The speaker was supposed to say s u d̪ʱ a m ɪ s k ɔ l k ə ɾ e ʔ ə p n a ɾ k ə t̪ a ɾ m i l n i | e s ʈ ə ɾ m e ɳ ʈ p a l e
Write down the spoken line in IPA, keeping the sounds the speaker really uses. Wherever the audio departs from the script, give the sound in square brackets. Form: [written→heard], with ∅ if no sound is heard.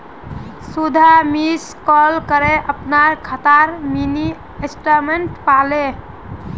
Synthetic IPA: s u d̪ʱ a m [ɪ→i] s k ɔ l k ə ɾ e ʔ ə p n a ɾ [k→kʰ] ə t̪ a ɾ m i [l→∅] n i | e s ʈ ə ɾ m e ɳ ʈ p a l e